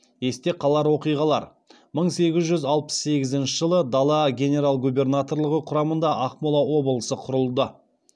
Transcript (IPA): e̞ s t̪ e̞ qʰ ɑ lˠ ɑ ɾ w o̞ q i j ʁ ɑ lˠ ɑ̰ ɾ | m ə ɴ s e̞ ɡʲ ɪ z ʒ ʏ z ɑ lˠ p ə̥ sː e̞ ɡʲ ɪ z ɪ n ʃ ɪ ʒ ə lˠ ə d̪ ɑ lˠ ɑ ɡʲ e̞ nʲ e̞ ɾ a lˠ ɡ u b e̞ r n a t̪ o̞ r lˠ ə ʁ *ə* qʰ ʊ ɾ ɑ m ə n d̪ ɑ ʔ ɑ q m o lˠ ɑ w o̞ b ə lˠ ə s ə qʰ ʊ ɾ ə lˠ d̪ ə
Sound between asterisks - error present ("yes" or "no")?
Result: no